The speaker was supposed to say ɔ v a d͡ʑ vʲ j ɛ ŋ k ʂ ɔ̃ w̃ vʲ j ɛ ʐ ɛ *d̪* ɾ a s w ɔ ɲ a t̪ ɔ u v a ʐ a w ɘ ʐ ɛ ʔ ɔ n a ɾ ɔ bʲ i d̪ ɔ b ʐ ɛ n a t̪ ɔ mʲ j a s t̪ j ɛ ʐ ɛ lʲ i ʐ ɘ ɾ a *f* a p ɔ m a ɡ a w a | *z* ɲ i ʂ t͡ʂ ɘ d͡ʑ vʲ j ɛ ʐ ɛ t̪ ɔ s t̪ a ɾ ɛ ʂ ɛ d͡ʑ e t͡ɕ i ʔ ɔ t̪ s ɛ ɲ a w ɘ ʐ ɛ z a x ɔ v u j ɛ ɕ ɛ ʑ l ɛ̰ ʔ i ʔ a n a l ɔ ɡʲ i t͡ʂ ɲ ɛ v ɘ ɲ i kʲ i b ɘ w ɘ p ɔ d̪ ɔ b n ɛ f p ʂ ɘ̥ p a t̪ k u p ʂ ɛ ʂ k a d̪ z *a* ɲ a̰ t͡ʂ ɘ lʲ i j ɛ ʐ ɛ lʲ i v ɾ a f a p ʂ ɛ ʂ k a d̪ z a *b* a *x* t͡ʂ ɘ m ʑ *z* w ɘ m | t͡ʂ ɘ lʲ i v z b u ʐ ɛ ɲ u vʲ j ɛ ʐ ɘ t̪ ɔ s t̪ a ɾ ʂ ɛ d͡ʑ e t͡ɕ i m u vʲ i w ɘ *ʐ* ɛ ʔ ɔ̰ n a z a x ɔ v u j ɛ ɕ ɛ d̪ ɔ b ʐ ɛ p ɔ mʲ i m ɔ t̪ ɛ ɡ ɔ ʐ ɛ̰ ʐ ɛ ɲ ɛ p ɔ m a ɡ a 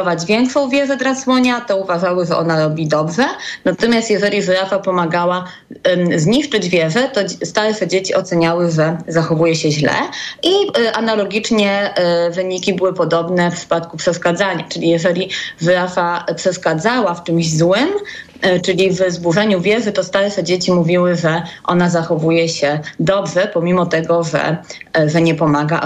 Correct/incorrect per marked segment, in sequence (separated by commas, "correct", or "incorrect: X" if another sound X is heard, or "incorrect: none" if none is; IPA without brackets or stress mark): correct, correct, correct, correct, incorrect: w, incorrect: f, correct, correct